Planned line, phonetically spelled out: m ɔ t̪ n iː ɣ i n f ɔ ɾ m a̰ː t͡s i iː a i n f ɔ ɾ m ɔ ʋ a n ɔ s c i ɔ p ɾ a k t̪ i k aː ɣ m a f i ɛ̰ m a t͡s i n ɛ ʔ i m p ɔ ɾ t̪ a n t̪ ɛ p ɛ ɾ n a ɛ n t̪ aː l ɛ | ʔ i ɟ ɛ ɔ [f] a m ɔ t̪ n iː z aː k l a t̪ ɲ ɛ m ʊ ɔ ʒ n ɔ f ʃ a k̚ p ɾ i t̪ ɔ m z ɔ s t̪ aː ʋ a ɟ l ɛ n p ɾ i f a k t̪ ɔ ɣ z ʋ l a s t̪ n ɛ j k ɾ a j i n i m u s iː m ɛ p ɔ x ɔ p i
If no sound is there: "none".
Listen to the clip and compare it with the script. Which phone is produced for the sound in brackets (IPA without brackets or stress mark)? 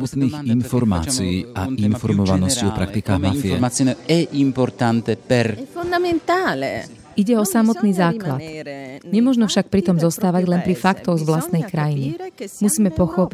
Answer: s